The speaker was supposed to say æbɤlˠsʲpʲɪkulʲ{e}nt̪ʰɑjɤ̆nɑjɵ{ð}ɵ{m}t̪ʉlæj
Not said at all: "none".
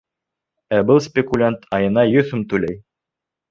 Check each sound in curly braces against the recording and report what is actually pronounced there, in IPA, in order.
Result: a, θ, m

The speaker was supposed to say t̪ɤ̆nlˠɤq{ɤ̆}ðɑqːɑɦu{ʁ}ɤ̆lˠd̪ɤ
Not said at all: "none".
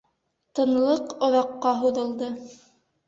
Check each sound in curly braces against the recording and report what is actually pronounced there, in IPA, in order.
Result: ŏ, ð

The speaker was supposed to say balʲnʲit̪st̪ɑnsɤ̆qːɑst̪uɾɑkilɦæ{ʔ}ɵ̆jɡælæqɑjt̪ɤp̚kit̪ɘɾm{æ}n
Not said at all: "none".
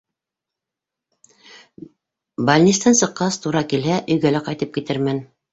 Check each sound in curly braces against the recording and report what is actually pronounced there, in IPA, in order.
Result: ʔ, æ

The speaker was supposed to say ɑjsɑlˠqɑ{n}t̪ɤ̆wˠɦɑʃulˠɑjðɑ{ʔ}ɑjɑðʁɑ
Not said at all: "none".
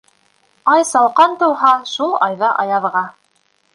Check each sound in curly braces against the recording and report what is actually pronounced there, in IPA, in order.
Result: n, ʔ

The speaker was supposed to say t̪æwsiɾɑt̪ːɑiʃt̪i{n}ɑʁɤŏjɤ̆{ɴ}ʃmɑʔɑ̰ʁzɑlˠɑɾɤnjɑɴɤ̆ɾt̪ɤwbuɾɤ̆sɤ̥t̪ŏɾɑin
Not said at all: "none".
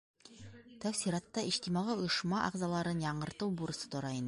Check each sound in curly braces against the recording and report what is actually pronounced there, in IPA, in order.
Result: m, none

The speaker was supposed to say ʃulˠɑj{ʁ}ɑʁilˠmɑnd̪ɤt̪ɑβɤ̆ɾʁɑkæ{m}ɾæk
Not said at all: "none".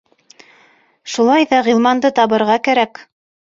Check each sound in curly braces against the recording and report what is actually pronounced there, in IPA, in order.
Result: ð, none

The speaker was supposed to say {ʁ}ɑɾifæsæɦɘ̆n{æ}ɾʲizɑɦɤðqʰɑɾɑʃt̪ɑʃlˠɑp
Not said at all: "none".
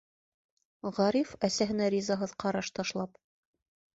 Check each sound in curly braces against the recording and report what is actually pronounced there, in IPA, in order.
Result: ʁ, æ

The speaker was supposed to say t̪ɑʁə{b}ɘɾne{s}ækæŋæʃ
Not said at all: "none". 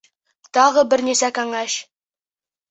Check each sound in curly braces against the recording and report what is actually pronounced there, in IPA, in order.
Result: b, s

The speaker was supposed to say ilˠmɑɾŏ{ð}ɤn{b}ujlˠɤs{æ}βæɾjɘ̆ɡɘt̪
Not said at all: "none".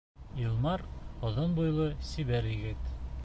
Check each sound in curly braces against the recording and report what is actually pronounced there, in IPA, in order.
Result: ð, b, i

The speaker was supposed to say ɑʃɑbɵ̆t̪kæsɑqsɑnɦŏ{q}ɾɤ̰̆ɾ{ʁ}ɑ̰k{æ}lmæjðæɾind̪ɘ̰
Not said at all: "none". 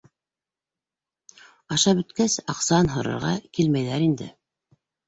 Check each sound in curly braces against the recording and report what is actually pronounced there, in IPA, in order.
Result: none, ʁ, i

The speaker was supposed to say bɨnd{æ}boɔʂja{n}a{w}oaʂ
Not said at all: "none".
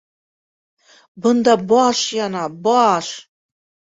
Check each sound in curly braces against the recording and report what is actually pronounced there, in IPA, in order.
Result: a, n, b

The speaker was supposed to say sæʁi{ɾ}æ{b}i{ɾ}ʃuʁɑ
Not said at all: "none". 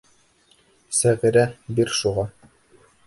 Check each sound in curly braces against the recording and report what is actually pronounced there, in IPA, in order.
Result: ɾ, b, ɾ

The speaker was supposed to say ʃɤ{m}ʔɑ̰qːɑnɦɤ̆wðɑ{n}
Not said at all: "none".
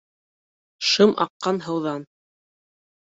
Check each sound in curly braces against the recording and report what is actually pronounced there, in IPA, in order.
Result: m, n

